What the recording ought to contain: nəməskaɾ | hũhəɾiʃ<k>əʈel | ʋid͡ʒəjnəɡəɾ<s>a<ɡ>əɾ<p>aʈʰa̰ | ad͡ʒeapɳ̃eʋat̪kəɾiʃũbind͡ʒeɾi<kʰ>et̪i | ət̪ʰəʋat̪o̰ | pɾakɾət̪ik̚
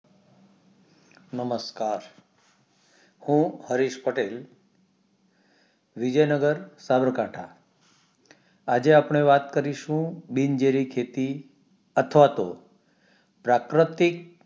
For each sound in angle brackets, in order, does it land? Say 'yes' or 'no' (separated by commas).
no, yes, no, no, yes